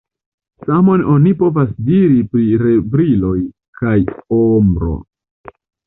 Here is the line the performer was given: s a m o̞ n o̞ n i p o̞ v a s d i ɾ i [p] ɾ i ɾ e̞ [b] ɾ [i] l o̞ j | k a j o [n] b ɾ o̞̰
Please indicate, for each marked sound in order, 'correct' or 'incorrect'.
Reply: correct, correct, correct, incorrect

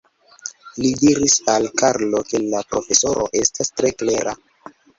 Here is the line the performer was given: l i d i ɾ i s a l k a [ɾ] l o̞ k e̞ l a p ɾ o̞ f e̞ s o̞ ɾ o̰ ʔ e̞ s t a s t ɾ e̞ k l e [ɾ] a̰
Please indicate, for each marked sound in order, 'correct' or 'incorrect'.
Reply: correct, correct

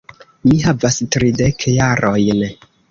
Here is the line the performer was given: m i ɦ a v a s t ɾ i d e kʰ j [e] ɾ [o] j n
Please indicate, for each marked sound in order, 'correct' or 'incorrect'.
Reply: incorrect, correct

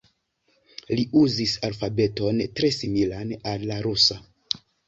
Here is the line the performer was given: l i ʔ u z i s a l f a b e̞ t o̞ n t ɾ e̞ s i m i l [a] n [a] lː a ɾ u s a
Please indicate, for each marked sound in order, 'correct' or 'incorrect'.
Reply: correct, correct

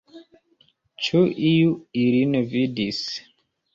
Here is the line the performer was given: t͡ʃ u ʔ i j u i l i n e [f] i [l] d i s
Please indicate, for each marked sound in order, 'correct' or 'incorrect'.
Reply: incorrect, incorrect

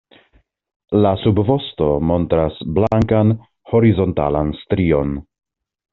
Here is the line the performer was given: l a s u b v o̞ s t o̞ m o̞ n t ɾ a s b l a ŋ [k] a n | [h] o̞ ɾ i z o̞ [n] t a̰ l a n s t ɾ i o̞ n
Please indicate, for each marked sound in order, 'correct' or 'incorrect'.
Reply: correct, correct, correct

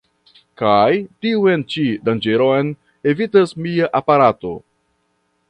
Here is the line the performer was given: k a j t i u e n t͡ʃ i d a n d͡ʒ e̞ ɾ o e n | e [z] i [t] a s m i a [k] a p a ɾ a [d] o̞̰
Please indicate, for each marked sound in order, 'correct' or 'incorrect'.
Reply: incorrect, correct, incorrect, incorrect

